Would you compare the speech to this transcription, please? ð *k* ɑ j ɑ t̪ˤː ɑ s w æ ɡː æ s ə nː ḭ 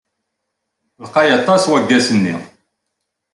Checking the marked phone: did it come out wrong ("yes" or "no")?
yes